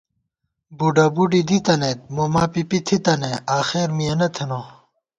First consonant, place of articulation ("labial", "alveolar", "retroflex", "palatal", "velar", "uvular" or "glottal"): labial